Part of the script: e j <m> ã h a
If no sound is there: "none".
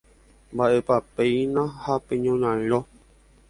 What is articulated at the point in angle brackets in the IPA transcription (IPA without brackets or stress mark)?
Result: n